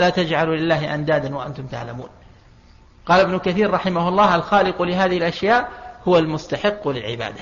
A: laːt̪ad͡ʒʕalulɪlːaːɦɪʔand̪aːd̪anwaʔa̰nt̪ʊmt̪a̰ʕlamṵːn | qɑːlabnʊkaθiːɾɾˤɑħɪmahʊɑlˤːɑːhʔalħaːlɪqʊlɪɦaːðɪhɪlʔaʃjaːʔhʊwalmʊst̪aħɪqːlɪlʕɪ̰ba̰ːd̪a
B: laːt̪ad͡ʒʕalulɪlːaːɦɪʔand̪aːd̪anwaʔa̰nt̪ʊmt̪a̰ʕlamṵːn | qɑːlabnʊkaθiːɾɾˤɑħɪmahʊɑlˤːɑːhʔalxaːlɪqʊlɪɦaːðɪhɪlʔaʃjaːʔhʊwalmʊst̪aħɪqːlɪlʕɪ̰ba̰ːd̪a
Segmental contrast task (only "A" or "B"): B